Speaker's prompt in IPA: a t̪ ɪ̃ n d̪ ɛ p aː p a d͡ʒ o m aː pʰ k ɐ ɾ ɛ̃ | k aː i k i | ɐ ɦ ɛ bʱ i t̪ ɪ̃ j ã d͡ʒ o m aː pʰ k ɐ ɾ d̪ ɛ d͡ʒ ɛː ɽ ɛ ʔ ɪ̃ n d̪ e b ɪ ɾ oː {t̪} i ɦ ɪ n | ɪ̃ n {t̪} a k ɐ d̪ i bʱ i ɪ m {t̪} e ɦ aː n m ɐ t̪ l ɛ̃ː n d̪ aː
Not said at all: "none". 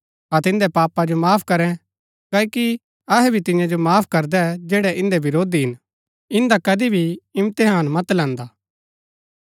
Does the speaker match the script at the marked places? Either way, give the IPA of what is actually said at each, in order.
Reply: d̪, d̪, t̪

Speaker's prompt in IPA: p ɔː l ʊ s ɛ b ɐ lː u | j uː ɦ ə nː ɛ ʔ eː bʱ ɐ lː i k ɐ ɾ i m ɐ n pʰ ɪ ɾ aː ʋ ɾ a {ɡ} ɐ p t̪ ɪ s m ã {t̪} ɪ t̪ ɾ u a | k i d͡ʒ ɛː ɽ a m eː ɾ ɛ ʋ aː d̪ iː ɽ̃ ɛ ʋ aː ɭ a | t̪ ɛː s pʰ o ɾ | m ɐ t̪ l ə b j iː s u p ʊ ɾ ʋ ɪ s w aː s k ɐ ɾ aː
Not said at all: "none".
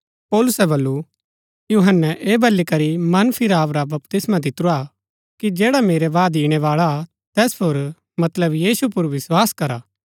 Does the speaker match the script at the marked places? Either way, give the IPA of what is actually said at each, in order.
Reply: b, d̪

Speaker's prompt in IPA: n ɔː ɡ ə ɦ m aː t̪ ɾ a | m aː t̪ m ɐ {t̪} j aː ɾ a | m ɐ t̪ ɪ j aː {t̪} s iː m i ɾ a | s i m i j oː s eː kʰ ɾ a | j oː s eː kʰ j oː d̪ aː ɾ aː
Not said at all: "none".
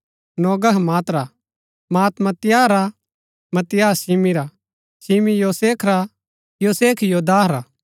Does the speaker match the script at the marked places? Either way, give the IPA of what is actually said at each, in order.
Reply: t̪, none

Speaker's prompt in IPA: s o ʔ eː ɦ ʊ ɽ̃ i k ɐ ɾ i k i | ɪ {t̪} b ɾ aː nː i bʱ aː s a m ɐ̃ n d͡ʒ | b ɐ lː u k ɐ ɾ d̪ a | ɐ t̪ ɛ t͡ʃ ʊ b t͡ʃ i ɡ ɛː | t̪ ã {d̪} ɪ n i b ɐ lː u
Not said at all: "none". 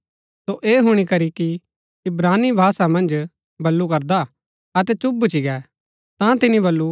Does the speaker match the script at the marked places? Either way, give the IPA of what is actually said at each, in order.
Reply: none, t̪

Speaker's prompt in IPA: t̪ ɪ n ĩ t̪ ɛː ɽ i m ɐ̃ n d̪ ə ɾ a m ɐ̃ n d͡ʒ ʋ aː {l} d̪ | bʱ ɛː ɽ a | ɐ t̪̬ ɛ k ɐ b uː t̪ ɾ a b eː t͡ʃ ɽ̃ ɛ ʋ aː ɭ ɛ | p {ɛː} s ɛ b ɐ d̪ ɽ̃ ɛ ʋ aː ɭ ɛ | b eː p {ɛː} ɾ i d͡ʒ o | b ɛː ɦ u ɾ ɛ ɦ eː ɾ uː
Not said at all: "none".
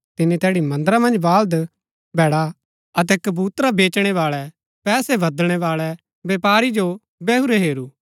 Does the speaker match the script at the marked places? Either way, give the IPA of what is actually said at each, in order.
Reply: l, ɛː, aː

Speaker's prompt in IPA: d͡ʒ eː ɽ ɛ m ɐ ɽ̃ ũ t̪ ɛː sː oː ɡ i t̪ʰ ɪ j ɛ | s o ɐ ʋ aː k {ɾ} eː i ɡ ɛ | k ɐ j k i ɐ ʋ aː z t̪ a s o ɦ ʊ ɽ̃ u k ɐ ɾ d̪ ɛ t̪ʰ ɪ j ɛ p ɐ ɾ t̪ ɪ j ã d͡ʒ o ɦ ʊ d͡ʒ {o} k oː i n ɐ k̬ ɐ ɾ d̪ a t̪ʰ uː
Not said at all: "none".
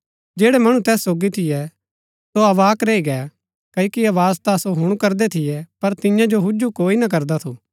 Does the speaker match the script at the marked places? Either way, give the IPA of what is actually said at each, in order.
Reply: ɾ, u

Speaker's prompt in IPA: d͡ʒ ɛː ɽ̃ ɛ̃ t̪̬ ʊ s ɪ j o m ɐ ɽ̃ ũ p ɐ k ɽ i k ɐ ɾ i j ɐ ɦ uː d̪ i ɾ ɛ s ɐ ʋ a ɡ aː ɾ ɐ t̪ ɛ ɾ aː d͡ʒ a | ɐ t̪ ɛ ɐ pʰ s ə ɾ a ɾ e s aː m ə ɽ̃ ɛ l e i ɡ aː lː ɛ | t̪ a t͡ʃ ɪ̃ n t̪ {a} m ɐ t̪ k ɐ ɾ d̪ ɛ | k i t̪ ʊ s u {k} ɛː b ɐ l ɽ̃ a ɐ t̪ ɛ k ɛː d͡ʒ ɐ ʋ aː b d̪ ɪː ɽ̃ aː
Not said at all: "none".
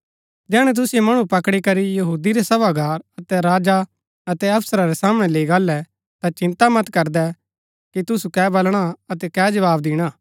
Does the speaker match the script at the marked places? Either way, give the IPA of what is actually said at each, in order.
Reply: a, k

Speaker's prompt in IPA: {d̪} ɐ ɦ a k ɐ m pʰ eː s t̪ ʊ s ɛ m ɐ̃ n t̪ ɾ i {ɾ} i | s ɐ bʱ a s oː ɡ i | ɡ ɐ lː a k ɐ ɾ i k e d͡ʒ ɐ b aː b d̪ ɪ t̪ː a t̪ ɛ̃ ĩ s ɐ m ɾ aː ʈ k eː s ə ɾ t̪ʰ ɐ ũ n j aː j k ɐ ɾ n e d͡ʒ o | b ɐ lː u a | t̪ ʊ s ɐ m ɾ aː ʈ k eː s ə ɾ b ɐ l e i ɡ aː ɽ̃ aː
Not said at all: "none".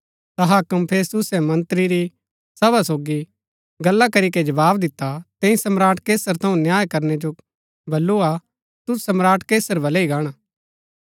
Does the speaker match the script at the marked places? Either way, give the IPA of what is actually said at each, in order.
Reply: t̪, ɾ

